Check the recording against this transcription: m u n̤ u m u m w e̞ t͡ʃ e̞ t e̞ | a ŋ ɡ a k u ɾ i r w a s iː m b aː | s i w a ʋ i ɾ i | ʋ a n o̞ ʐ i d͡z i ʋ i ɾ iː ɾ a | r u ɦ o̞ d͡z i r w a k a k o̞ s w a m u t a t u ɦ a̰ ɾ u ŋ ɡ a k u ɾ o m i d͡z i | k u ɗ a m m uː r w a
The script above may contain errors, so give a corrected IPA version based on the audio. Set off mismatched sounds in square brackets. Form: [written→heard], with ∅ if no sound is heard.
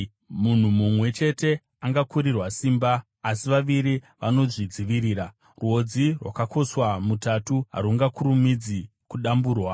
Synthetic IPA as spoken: m u n̤ u m u m w e̞ t͡ʃ e̞ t e̞ | a ŋ ɡ a k u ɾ i r w a s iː m b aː | s i [w→ʋ] a ʋ i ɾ i | ʋ a n o̞ ʐ i d͡z i ʋ i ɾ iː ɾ a | r u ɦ o̞ d͡z i r w a k a k o̞ s w a m u t a t u ɦ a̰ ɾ u ŋ ɡ a k u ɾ [o→u] m i d͡z i | k u ɗ a m [m→b] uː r w a